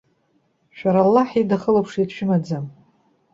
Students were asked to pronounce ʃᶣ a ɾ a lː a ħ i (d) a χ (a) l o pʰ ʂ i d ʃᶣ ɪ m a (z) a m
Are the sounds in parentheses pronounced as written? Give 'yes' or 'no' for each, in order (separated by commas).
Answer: yes, no, no